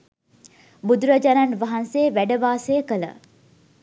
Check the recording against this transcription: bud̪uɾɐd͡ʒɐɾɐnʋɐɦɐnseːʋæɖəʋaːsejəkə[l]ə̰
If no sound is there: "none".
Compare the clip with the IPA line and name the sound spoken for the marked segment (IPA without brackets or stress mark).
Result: l